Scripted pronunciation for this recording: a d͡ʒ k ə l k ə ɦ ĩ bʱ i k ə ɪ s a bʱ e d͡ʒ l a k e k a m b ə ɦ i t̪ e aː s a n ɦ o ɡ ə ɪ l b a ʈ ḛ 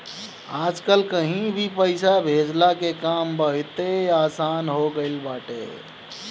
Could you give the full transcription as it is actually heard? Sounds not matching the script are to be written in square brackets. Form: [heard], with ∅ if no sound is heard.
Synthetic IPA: a d͡ʒ k ə l k ə ɦ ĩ bʱ i [p] ə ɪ s a bʱ e d͡ʒ l a k e k a m b ə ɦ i t̪ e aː s a n ɦ o ɡ ə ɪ l b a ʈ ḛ